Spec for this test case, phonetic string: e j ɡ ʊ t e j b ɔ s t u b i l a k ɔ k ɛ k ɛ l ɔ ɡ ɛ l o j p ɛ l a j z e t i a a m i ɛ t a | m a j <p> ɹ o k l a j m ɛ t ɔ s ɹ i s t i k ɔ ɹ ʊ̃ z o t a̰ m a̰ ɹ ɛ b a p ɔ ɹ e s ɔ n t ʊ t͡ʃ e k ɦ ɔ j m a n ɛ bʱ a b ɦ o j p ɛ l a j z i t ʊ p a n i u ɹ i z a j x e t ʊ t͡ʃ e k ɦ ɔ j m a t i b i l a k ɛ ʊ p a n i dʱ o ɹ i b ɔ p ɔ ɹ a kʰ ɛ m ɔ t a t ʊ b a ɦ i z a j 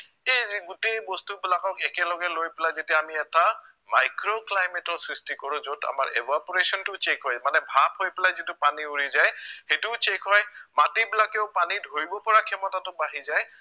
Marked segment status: incorrect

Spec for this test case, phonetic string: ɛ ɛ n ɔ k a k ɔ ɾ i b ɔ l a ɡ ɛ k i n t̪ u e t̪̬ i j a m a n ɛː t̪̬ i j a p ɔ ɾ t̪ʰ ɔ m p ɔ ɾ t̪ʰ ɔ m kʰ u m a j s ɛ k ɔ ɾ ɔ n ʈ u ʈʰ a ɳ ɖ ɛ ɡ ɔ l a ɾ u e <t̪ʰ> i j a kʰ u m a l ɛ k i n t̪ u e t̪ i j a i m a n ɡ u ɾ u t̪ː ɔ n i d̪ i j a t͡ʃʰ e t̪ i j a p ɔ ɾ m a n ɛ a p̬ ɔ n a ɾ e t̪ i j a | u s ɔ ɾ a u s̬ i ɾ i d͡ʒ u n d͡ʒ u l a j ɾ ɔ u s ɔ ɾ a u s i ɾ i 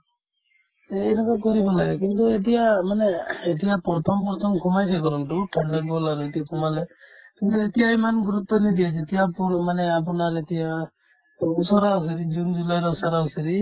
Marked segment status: incorrect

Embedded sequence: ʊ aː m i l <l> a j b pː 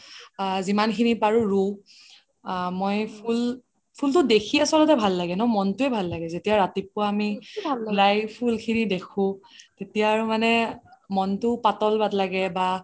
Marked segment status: correct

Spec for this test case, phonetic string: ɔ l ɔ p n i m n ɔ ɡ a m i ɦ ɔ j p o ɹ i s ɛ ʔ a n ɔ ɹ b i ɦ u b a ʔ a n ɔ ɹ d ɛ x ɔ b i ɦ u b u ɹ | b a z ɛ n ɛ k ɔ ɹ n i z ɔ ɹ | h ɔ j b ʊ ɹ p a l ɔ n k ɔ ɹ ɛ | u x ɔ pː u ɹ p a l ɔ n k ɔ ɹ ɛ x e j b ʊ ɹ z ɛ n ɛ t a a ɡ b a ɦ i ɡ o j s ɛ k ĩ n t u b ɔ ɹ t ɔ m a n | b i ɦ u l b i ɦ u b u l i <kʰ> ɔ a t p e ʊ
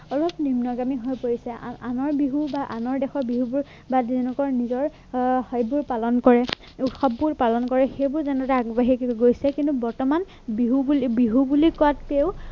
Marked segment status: incorrect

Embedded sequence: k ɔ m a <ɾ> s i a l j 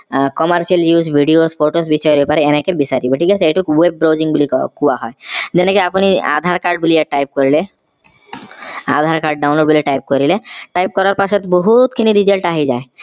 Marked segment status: correct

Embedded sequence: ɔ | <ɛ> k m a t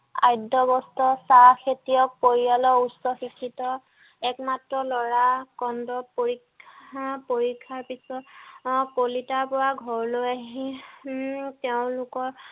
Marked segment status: correct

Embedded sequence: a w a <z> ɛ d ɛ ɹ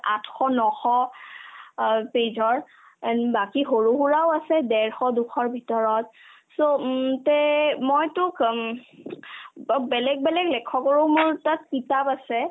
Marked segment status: incorrect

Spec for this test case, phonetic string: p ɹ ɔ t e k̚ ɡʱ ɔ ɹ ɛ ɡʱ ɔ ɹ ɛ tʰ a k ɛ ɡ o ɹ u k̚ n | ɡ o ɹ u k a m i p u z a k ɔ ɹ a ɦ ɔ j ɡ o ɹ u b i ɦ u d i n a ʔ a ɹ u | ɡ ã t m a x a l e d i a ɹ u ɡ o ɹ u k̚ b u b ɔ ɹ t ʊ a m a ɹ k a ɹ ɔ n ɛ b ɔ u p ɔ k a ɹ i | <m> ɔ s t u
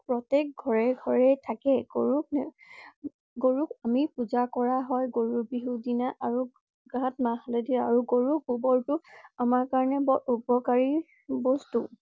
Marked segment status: incorrect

